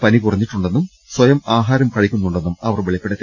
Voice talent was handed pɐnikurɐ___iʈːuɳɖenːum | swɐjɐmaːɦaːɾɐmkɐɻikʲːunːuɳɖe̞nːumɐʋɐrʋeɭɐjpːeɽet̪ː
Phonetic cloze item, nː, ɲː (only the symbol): ɲː